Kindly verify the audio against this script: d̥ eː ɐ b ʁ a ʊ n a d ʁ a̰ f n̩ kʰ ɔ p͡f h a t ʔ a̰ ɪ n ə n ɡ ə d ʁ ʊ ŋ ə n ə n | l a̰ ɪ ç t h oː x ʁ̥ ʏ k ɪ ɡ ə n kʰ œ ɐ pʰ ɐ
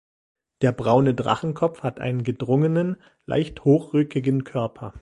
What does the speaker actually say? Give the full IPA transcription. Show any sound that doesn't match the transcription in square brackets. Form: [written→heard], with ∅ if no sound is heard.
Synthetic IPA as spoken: d̥ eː ɐ b ʁ a ʊ n [a→ə] d ʁ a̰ [f→χ] n̩ kʰ ɔ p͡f h a t ʔ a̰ ɪ n ə n ɡ ə d ʁ ʊ ŋ ə n ə n | l a̰ ɪ ç t h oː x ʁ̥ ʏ k ɪ ɡ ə n kʰ œ ɐ pʰ ɐ

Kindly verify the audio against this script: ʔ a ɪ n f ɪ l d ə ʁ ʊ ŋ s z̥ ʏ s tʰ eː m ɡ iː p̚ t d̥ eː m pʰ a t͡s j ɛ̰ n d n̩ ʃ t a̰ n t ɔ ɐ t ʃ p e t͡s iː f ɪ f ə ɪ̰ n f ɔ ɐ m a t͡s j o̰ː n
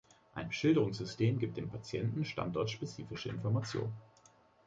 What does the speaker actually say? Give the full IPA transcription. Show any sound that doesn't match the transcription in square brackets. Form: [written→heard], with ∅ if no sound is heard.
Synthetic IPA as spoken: ʔ a ɪ n [f→ʃ] ɪ l d ə ʁ ʊ ŋ s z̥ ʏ s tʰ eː m ɡ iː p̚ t d̥ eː m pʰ a t͡s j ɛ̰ n [d→t] n̩ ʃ t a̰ n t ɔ ɐ t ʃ p e t͡s iː f ɪ [f→ʃ] ə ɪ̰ n f ɔ ɐ m a t͡s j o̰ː n

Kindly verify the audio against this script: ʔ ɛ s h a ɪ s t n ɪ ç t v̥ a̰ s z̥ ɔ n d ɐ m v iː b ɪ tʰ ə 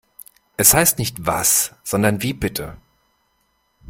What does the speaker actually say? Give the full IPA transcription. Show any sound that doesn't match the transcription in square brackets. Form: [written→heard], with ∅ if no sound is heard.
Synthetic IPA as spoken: ʔ ɛ s h a ɪ s t n ɪ ç t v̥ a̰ s z̥ ɔ n d ɐ [m→n] v iː b ɪ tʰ ə

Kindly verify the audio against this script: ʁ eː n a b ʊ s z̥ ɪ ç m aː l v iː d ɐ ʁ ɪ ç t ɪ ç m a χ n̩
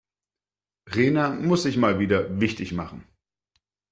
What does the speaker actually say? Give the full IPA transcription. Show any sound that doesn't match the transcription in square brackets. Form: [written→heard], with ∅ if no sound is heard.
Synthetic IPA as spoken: ʁ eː n a [b→m] ʊ s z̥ ɪ ç m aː l v iː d ɐ [ʁ→v] ɪ ç t ɪ ç m a χ n̩

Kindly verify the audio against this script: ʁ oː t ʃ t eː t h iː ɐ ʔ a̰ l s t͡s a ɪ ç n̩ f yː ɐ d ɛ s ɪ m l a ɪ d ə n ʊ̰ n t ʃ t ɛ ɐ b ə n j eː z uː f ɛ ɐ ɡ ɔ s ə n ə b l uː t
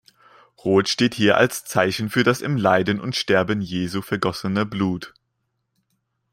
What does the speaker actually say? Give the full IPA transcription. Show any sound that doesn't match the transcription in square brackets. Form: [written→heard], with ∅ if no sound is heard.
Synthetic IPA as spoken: ʁ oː t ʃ t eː t h iː ɐ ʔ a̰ l s t͡s a ɪ ç n̩ f yː ɐ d [ɛ→a] s ɪ m l a ɪ d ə n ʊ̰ n t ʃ t ɛ ɐ b ə n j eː z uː f ɛ ɐ ɡ ɔ s ə n ə b l uː t

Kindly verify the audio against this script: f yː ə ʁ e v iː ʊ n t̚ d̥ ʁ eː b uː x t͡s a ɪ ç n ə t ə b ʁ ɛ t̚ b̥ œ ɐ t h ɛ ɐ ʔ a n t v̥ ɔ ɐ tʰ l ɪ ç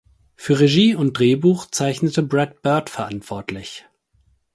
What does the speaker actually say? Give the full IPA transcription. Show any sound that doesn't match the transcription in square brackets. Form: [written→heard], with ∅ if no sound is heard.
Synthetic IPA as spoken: f yː [ə→ɐ] ʁ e [v→ʒ] iː ʊ n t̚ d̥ ʁ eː b uː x t͡s a ɪ ç n ə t ə b ʁ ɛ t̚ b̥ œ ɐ t [h→f] ɛ ɐ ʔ a n t v̥ ɔ ɐ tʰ l ɪ ç

